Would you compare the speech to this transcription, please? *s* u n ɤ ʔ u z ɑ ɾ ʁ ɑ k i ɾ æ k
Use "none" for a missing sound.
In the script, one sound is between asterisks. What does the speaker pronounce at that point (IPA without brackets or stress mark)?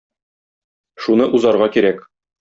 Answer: ʃ